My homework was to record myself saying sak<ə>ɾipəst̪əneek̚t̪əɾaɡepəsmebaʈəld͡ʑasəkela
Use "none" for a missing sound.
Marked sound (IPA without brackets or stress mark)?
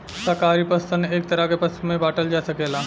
a